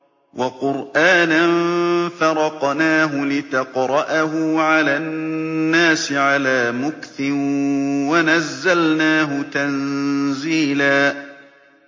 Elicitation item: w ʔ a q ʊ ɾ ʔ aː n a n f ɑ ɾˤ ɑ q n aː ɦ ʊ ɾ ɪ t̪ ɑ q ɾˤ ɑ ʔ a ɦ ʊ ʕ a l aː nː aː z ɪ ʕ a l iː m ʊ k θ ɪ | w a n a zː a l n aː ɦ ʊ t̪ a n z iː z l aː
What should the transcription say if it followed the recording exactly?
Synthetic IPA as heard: w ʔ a q ʊ ɾ ʔ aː n a n f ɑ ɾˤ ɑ q n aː ɦ ʊ l ɪ t̪ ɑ q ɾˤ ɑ ʔ a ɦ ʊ ʕ a l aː nː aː s ɪ ʕ a l aː m ʊ k θ ɪ | w a n a zː a l n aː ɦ ʊ t̪ a n z iː l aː